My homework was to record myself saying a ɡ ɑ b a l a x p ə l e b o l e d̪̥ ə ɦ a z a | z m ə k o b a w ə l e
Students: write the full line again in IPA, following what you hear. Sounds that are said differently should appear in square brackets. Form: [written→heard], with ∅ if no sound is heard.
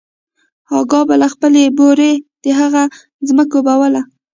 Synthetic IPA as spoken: [a→ɑ] ɡ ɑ b a l a x p ə l e b o [l→ɾ] e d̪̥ ə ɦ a [z→ɣ] a | z m ə k o b a w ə l [e→a]